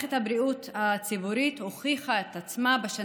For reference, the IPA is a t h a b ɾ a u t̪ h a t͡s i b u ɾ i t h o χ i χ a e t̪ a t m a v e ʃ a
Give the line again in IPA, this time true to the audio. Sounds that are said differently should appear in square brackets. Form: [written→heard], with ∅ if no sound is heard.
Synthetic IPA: [a→e] t h a b ɾ [a→i] u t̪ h a t͡s i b u ɾ i t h o χ i χ a e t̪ a [t→t͡s] m a [v→b] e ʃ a